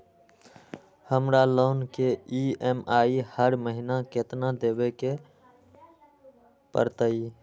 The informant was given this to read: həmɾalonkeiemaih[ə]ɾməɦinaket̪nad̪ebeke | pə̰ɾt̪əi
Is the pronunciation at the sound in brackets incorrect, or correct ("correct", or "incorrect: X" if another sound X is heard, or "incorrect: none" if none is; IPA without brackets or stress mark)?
correct